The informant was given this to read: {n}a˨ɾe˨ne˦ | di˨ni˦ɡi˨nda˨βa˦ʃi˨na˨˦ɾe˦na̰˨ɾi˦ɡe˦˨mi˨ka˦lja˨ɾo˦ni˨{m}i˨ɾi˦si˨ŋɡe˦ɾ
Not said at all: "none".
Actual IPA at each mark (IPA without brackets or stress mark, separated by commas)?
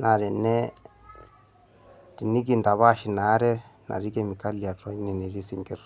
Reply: n, n